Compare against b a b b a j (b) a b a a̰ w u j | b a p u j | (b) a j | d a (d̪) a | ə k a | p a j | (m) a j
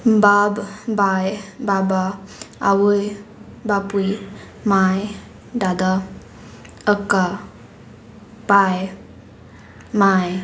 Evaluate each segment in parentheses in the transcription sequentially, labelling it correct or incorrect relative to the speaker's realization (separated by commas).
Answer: correct, incorrect, correct, correct